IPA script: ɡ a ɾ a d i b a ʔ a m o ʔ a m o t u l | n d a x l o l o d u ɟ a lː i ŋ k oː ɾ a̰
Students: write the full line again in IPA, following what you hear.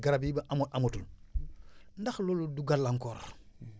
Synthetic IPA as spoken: ɡ a ɾ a b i b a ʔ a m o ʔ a m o t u l | n d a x l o l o d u ɡ a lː a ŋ k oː ɾ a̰